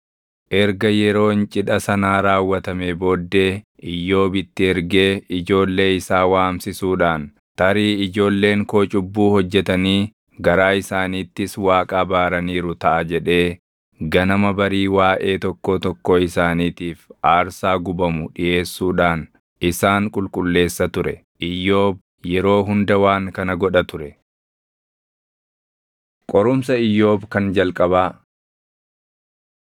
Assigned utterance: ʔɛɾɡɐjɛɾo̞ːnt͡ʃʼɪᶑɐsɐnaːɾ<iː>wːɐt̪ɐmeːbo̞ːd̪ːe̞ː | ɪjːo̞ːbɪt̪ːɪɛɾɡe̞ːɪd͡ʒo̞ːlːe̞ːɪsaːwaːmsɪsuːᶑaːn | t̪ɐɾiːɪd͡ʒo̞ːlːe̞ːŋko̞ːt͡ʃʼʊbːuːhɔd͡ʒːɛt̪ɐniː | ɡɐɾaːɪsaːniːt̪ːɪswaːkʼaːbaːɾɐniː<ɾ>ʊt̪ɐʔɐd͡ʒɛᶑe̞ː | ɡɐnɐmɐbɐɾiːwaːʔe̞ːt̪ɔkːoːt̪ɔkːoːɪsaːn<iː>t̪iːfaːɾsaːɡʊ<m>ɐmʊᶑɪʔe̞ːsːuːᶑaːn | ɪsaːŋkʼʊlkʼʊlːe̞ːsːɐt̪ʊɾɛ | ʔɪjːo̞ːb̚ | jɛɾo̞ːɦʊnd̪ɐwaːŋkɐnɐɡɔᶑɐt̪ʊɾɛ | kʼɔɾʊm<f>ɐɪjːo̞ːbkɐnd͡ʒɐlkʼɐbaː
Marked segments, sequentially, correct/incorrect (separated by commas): incorrect, correct, correct, incorrect, incorrect